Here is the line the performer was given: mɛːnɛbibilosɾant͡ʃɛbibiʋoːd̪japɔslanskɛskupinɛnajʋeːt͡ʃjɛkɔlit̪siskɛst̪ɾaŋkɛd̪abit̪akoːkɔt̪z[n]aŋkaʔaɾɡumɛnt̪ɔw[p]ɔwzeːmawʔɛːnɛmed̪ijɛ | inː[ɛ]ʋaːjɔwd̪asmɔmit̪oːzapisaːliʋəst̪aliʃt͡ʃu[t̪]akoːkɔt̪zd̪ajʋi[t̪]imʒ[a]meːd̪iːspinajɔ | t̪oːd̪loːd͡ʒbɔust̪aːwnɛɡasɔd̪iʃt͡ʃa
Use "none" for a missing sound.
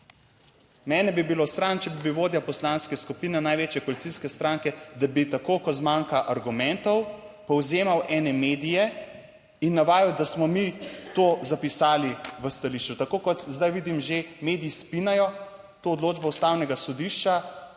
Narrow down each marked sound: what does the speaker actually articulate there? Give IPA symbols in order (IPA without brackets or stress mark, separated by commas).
m, p, a, t̪, d̪, e